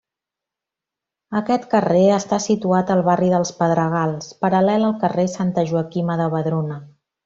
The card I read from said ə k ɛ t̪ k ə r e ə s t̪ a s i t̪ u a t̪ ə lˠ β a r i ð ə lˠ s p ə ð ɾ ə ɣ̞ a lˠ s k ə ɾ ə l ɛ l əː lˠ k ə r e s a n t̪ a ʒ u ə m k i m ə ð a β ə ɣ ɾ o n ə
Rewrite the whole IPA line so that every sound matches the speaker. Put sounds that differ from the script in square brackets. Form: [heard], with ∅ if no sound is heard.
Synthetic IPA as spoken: ə k ɛ t̪ k ə r e ə s t̪ a s i t̪ u a t̪ ə lˠ β a r i ð ə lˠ s p ə ð ɾ ə ɣ̞ a lˠ s [p] ə ɾ ə l ɛ l [ə] lˠ k ə r e s a n t̪ [ə] ʒ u ə [∅] k i m ə ð [ə] β ə [ð] ɾ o n ə